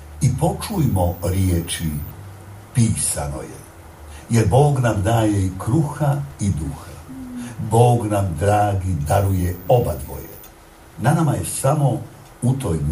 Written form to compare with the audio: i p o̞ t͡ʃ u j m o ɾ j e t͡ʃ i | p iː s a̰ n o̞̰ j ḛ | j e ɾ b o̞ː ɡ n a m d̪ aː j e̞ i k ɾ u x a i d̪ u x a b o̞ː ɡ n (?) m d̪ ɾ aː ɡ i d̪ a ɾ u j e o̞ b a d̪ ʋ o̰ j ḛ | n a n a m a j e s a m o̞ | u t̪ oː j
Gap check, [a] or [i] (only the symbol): a